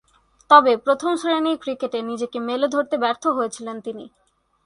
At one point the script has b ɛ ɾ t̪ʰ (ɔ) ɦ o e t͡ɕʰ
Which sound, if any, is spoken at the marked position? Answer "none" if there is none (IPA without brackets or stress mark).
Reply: o